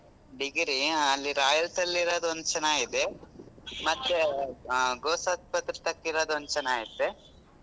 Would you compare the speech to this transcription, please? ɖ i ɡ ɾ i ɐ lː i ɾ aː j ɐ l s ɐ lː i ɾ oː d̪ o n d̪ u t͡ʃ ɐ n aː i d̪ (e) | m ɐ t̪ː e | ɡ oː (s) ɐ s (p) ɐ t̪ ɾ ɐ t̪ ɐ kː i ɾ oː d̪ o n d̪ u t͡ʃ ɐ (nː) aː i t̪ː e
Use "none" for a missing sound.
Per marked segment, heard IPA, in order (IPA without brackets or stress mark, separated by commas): e, s, p, n